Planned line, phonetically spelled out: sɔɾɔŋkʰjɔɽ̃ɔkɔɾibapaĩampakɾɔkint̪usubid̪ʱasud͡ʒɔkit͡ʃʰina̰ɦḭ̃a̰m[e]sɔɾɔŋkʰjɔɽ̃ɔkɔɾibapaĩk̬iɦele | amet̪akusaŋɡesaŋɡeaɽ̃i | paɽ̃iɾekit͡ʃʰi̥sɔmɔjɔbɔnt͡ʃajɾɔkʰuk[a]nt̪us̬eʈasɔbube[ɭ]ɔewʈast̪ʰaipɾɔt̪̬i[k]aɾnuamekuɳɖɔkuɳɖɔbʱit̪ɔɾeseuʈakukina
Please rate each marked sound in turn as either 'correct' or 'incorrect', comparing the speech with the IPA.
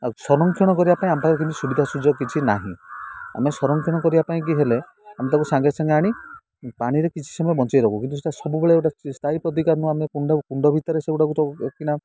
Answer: correct, incorrect, correct, correct

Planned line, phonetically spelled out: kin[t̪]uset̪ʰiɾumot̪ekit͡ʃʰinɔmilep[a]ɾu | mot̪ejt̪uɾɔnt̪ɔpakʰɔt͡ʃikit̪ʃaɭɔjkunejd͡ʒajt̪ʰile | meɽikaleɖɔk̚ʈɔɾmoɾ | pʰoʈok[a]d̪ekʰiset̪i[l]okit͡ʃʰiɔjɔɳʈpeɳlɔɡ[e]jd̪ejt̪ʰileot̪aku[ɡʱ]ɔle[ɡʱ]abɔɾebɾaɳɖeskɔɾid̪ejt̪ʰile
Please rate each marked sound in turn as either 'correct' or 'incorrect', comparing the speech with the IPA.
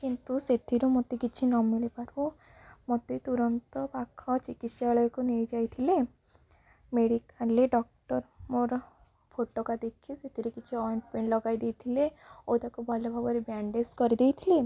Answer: correct, correct, correct, incorrect, incorrect, incorrect, incorrect

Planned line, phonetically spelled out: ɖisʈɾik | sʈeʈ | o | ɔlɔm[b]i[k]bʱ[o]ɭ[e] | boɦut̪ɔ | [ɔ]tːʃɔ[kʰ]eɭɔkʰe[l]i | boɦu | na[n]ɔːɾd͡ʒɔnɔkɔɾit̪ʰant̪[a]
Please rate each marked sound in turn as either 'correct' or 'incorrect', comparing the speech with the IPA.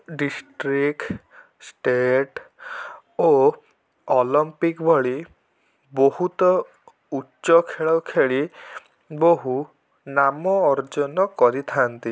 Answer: incorrect, correct, incorrect, incorrect, incorrect, correct, incorrect, incorrect, incorrect

